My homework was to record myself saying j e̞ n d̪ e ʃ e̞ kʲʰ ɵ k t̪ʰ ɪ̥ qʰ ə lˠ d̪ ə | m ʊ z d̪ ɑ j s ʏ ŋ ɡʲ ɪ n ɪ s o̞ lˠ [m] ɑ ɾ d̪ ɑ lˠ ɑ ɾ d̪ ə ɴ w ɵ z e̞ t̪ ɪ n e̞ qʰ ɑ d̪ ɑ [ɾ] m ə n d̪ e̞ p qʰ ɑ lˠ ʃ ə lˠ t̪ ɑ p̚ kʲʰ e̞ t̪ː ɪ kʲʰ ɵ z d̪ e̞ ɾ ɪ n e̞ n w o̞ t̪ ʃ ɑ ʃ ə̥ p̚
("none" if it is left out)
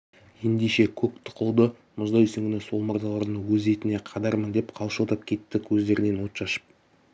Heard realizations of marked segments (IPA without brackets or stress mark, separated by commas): m, ɾ